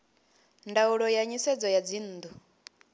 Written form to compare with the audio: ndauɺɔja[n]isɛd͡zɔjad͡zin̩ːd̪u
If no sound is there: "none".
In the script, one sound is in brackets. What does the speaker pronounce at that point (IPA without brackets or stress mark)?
ɲ